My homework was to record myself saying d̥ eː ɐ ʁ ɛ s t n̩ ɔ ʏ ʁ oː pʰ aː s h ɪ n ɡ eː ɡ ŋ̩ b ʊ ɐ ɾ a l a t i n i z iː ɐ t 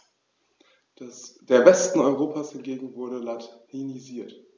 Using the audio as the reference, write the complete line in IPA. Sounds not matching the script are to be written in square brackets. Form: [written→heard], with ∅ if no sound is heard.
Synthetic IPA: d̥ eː ɐ [ʁ→v] ɛ s t n̩ ɔ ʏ ʁ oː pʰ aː s h ɪ n ɡ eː ɡ ŋ̩ [b→v] ʊ ɐ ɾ [a→ə] l a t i n i z iː ɐ t